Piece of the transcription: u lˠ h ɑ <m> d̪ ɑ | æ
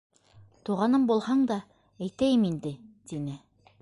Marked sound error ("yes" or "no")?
yes